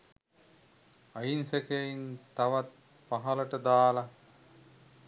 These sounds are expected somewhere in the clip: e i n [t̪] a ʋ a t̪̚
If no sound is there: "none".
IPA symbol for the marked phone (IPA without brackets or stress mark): t̪